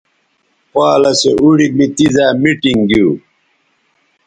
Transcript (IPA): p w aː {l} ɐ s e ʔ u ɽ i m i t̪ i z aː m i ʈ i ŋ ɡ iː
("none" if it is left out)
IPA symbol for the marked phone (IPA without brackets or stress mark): l